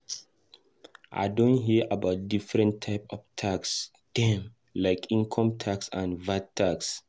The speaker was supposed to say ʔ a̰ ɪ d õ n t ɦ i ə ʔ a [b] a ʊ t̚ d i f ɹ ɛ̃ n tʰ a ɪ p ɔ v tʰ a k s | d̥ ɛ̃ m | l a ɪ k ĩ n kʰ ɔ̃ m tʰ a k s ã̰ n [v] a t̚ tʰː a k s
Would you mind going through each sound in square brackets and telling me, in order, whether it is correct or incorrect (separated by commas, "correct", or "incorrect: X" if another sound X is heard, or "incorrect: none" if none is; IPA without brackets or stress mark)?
correct, correct